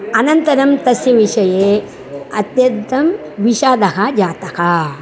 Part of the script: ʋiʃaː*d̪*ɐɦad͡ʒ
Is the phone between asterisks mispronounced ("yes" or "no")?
no